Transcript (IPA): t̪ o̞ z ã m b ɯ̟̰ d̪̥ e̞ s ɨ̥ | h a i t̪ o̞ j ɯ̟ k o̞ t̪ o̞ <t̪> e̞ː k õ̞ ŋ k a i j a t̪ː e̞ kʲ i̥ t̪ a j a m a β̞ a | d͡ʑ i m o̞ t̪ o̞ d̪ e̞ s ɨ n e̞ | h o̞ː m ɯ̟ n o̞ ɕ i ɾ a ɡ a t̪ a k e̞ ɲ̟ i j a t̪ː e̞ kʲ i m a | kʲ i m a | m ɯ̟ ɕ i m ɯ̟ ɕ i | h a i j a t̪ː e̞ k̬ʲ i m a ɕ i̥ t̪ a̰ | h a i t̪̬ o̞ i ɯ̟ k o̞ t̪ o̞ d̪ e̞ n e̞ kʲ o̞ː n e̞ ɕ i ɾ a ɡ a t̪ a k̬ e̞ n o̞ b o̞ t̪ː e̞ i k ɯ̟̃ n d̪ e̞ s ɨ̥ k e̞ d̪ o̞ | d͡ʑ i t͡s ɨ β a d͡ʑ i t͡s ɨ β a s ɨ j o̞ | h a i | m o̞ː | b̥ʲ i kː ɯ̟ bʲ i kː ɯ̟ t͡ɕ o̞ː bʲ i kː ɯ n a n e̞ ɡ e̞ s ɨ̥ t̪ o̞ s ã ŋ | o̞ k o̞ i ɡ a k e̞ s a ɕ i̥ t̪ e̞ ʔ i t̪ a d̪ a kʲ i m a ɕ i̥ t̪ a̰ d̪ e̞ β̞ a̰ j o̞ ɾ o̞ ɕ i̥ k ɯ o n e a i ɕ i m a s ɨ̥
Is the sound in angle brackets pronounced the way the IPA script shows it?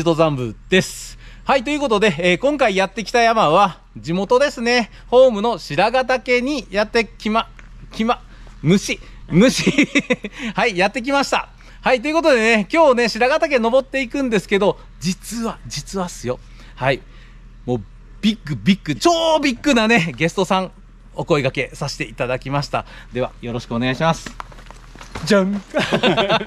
no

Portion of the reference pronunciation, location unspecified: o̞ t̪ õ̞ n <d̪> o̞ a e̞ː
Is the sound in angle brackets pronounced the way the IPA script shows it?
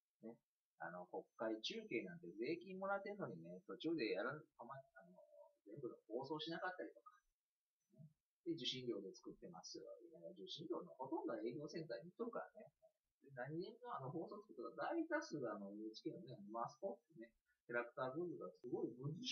yes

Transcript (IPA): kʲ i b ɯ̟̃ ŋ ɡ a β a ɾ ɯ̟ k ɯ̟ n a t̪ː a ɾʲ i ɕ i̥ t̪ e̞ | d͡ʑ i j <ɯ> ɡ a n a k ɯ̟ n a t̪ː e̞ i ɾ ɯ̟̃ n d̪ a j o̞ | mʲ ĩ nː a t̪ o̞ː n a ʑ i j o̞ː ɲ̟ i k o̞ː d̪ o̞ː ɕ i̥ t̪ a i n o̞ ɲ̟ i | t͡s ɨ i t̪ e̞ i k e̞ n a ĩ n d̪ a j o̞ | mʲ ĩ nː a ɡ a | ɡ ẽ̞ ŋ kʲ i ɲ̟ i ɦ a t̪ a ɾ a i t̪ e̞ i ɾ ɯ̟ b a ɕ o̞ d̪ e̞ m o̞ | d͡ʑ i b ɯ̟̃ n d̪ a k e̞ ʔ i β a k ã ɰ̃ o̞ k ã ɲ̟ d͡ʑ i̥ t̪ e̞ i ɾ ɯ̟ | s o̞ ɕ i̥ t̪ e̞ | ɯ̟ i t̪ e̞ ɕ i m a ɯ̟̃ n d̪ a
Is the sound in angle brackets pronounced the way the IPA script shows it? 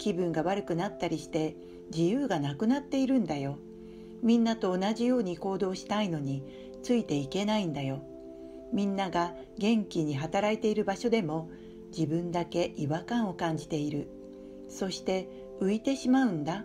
no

